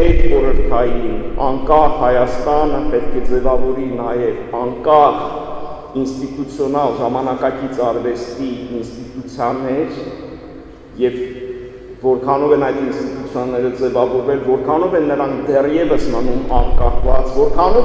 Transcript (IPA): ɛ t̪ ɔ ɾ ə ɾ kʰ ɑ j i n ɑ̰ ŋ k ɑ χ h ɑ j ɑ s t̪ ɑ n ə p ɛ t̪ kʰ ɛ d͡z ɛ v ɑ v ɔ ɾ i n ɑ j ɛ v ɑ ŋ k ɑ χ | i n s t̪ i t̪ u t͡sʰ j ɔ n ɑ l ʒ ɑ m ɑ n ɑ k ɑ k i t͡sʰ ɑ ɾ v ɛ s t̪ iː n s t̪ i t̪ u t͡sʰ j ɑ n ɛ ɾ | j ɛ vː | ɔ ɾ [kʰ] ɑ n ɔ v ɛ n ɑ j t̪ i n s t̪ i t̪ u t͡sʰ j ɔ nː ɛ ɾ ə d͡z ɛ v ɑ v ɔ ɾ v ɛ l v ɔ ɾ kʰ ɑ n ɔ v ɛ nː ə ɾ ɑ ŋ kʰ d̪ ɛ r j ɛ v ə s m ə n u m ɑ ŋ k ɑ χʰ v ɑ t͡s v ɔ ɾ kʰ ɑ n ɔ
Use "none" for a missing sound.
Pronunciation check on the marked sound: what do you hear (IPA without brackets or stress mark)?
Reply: kʰ